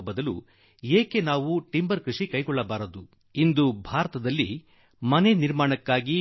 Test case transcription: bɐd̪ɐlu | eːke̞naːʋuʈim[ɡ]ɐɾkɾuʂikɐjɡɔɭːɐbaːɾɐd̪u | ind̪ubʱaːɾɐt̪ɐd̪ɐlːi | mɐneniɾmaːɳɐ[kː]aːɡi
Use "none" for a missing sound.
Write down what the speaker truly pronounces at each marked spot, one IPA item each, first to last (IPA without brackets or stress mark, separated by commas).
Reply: b, kː